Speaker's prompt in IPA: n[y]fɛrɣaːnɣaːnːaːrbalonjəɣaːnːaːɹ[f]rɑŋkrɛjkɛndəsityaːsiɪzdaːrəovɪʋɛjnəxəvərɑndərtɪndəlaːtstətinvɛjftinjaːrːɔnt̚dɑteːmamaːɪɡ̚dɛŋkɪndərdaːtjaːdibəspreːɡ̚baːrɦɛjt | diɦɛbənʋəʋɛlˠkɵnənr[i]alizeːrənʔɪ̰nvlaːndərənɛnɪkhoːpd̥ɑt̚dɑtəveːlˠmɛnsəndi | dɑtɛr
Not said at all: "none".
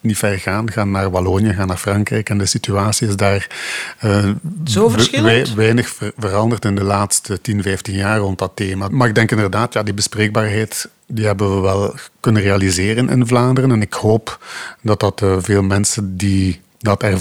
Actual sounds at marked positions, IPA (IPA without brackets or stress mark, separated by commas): i, f, e